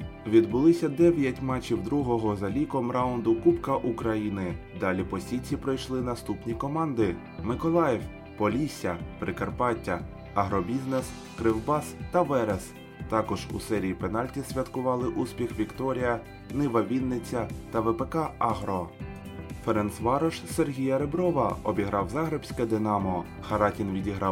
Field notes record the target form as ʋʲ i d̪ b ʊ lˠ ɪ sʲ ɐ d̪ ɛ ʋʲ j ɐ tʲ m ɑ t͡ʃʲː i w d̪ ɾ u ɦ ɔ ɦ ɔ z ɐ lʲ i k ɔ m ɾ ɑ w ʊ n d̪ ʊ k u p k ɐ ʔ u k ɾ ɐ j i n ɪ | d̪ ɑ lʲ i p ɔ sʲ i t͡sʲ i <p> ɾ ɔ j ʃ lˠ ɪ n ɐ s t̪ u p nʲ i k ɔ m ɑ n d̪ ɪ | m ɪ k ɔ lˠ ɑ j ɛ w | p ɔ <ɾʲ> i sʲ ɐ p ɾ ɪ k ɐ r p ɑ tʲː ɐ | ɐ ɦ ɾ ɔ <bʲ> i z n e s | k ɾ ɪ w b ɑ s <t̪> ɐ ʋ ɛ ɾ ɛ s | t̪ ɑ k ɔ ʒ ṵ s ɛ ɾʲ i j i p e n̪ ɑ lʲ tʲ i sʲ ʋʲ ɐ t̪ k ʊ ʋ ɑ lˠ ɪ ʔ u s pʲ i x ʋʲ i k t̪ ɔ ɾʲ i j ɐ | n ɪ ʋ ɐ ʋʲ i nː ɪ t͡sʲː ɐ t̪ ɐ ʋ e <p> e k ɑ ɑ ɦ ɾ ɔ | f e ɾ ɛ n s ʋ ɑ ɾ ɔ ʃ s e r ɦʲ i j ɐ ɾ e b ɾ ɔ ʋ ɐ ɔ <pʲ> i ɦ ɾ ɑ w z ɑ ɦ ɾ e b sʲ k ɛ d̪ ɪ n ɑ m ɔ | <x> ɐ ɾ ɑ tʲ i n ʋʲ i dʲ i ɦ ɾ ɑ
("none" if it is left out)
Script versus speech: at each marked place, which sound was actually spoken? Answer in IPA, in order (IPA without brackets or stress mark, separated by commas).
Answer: p, lʲ, bʲ, t̪, p, bʲ, x